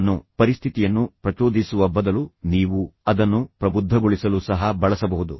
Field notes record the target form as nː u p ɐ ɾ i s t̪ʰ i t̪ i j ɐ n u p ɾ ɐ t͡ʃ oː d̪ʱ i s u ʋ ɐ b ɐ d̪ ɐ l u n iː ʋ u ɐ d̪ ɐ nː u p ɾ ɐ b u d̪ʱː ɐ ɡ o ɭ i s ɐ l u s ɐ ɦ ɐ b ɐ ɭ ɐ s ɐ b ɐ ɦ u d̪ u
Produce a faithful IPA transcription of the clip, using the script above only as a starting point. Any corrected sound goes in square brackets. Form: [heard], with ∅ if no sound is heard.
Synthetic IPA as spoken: nː u p ɐ ɾ i s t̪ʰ i t̪ i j ɐ [nː] u p ɾ ɐ t͡ʃ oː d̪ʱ i s u ʋ ɐ b ɐ d̪ ɐ l u n iː ʋ u ɐ d̪ ɐ nː u p ɾ ɐ b u d̪ʱː ɐ ɡ o ɭ i s ɐ l u s ɐ ɦ ɐ b ɐ ɭ ɐ s ɐ b ɐ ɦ u d̪ u

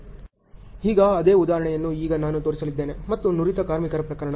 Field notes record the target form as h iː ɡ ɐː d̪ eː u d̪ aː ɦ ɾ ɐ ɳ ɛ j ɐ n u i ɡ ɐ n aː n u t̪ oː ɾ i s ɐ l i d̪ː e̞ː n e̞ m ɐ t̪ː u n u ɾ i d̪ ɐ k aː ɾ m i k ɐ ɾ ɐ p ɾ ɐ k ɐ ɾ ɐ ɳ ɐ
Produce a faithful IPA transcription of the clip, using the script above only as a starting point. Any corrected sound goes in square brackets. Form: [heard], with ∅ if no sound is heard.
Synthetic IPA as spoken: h iː ɡ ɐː d̪ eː u d̪ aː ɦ ɾ ɐ ɳ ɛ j ɐ [nː] u [iː] ɡ ɐ n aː n u t̪ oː ɾ i s ɐ l i d̪ː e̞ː n e̞ m ɐ t̪ː u n u ɾ i [t̪] ɐ k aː ɾ m i k ɐ ɾ ɐ p ɾ ɐ k ɐ ɾ ɐ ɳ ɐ

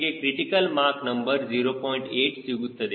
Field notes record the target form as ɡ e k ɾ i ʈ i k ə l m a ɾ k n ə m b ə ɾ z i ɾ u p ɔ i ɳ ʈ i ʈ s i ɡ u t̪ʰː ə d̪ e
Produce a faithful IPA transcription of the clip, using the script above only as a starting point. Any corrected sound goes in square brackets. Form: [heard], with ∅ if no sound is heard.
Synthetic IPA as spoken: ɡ e k ɾ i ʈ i k ə l m a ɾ k n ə m b ə ɾ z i ɾ [o] p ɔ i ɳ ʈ [e] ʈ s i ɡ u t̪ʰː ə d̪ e

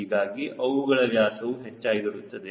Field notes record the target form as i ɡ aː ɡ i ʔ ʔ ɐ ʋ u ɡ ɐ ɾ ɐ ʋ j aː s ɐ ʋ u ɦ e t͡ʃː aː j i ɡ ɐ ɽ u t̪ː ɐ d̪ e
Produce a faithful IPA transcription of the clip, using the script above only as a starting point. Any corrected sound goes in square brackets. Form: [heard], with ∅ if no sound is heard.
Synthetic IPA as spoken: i ɡ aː ɡ i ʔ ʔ ɐ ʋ u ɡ ɐ [ɭ] ɐ ʋ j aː s ɐ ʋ u ɦ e t͡ʃː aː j i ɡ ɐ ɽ u t̪ː ɐ d̪ e

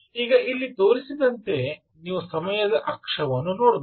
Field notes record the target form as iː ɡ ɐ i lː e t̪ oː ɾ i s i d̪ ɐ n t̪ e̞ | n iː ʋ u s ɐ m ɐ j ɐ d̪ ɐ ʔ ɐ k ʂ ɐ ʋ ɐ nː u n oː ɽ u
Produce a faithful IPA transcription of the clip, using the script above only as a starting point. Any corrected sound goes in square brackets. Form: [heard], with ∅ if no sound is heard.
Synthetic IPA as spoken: iː ɡ ɐ i lː [i] t̪ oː ɾ i s i d̪ ɐ n t̪ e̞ | n iː ʋ u s ɐ m ɐ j ɐ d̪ ɐ ʔ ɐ k ʂ ɐ ʋ ɐ nː u n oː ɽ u

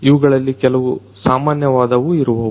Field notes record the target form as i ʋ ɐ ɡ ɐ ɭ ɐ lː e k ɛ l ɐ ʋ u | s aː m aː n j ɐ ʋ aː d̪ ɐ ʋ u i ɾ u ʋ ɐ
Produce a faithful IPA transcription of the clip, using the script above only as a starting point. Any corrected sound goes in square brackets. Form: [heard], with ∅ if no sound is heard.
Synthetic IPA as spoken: i ʋ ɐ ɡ ɐ ɭ ɐ lː [i] k ɛ l ɐ ʋ u | s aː m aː n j ɐ ʋ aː d̪ ɐ ʋ u i ɾ u ʋ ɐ

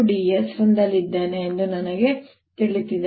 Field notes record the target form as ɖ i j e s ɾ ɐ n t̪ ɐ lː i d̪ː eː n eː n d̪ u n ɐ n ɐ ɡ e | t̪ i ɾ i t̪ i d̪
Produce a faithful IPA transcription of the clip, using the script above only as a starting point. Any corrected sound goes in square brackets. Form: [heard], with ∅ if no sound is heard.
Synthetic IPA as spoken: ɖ i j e s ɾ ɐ n [d̪] ɐ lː i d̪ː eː n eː n d̪ u n ɐ n ɐ ɡ e | t̪ i [ɭ] i t̪ i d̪

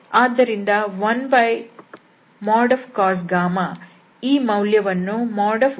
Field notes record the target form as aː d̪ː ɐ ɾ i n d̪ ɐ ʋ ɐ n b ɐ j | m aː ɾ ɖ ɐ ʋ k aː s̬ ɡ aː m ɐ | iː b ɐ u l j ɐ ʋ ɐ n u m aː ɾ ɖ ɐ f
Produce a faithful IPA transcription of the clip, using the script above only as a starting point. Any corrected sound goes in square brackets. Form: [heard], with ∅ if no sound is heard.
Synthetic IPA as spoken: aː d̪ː ɐ ɾ i n d̪ ɐ ʋ ɐ n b ɐ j | m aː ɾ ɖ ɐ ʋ k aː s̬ ɡ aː m ɐ | iː [m] ɐ [w] l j ɐ ʋ ɐ [nː] u m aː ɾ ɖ ɐ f

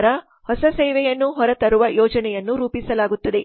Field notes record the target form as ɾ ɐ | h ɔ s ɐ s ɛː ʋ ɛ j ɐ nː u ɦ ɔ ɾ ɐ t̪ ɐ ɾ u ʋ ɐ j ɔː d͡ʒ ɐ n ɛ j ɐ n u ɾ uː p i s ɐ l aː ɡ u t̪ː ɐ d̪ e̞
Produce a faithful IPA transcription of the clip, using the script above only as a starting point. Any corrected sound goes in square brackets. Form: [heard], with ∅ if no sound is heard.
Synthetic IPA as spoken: ɾ ɐ | h ɔ s ɐ s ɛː ʋ ɛ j ɐ nː u ɦ ɔ ɾ ɐ t̪ ɐ ɾ u ʋ ɐ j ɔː d͡ʒ ɐ n ɛ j ɐ [nː] u ɾ uː p i s ɐ l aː ɡ u t̪ː ɐ d̪ e̞

